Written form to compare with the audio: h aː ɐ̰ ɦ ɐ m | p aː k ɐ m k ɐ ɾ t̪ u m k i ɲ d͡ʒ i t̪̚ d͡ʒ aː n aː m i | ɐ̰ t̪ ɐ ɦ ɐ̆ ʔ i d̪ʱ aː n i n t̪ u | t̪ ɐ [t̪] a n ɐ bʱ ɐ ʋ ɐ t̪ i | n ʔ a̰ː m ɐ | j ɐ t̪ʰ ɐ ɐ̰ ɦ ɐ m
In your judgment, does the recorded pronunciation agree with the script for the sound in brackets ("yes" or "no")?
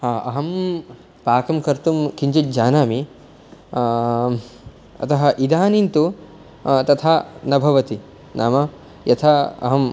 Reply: no